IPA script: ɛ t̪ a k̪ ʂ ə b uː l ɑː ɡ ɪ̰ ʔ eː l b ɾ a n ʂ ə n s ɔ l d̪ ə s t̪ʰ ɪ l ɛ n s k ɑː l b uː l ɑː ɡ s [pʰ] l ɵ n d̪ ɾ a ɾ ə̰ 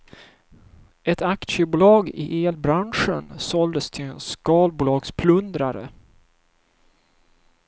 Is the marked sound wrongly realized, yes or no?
no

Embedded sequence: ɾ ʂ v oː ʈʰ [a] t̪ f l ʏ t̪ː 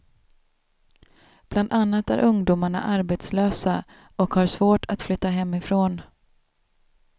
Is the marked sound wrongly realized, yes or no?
no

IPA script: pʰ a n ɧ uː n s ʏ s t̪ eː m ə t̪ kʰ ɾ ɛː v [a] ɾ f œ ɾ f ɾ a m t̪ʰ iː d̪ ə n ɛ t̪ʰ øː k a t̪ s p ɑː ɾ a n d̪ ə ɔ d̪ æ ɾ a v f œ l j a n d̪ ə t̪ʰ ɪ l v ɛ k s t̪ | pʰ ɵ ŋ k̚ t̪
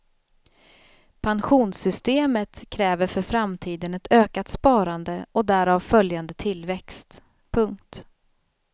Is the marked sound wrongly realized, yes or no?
yes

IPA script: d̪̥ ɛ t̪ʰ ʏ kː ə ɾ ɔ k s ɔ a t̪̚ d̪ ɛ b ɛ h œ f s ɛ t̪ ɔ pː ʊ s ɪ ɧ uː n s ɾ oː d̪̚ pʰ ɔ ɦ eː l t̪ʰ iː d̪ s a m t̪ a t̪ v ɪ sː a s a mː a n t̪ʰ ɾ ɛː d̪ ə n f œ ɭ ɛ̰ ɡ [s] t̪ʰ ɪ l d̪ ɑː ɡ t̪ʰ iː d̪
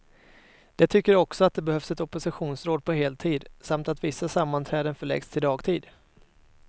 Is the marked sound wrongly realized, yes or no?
no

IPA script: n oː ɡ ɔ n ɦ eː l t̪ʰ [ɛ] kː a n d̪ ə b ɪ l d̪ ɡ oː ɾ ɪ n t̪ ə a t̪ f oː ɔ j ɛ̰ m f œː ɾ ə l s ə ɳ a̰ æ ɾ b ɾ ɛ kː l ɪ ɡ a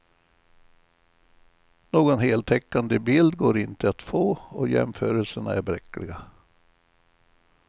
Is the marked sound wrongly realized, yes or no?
no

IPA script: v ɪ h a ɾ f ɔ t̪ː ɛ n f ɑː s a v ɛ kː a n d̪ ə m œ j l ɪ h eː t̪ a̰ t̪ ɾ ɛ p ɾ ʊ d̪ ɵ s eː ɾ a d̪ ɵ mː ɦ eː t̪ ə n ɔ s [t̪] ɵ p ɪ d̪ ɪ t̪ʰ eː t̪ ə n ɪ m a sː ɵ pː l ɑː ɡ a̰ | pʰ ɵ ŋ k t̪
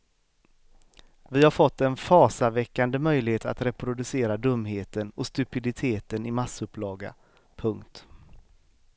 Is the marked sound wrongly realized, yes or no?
no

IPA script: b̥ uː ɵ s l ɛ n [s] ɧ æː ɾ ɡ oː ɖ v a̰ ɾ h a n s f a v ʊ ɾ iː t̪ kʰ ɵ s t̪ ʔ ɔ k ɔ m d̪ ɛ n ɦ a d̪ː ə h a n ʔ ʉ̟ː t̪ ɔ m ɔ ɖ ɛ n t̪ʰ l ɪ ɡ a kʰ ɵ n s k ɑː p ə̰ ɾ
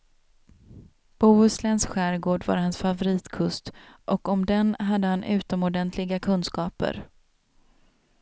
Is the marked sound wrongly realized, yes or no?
no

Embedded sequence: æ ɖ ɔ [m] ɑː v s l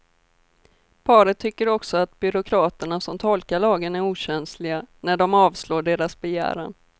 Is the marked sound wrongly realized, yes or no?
no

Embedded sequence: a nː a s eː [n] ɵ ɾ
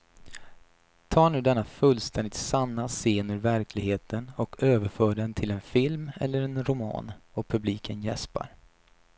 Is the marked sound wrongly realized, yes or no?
no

